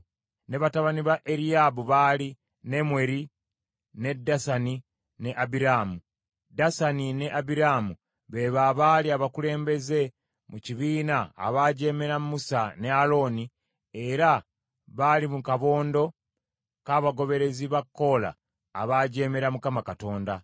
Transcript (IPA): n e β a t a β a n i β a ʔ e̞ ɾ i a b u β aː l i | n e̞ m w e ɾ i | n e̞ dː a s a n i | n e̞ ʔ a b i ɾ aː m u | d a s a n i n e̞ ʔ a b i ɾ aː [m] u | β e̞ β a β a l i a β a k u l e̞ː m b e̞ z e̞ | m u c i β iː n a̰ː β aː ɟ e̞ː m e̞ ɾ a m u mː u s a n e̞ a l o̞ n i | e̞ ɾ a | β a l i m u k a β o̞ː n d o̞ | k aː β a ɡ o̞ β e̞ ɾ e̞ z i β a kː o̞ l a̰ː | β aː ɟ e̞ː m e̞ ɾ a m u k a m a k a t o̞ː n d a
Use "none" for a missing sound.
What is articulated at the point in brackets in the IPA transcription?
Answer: m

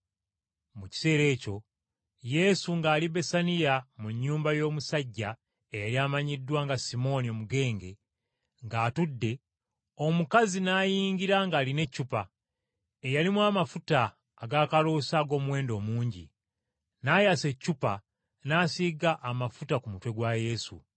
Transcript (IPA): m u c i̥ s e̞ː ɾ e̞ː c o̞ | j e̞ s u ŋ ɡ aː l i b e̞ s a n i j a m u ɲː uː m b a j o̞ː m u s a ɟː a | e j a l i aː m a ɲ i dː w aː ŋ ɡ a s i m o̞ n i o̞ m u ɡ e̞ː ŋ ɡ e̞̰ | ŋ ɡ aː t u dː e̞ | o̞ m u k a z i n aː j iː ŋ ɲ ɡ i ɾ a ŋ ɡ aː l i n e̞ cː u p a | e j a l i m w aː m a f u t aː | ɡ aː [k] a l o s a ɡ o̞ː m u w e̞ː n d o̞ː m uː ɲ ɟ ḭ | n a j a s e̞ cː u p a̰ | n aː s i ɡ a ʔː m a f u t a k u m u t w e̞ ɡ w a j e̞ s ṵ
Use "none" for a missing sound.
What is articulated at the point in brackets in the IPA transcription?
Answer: k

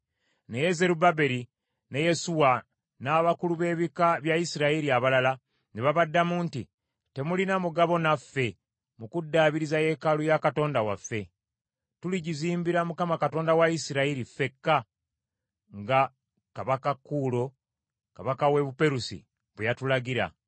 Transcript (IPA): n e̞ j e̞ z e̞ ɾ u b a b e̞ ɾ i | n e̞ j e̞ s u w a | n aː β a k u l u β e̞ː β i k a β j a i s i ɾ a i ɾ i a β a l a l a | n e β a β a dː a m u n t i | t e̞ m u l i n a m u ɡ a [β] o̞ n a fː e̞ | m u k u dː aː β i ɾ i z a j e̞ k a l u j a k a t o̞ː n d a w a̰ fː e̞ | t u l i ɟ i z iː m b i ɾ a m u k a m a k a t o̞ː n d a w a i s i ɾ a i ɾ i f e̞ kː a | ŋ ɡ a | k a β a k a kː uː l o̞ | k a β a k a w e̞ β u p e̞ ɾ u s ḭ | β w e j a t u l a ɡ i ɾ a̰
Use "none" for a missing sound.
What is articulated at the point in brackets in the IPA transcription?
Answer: β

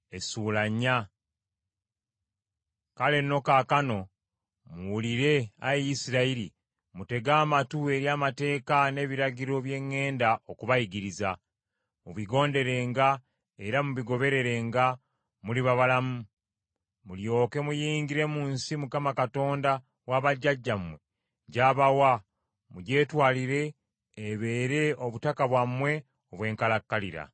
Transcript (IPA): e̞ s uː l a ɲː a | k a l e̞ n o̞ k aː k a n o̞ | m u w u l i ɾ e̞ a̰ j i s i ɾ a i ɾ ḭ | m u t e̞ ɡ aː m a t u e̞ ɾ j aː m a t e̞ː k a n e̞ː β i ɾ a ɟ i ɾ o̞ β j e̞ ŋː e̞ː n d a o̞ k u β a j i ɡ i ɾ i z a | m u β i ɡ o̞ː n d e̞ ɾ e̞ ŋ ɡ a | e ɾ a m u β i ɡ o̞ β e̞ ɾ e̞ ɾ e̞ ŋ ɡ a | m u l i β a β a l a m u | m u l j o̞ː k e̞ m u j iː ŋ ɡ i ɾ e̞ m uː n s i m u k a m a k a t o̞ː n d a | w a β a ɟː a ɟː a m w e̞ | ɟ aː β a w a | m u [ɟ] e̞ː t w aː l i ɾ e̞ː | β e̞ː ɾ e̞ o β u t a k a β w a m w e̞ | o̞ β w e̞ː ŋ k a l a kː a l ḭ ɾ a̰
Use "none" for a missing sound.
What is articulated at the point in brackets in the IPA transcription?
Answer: ɟ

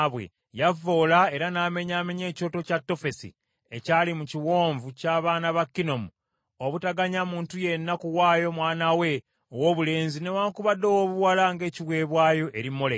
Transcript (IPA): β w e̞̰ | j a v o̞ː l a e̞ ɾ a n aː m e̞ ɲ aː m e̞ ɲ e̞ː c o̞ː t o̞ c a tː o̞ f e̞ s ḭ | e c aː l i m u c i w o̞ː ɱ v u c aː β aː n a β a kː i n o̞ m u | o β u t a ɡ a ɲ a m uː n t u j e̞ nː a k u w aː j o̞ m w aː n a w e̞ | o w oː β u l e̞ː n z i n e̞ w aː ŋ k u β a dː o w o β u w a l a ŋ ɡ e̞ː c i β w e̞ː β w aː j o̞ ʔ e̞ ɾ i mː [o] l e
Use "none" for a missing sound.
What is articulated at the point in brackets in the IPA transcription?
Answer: o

